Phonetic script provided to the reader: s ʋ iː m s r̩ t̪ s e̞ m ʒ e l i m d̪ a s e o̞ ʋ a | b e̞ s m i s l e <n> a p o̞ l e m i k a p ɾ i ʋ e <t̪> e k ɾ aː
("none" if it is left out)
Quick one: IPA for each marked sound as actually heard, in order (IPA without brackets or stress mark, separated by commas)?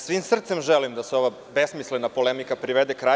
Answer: n, d̪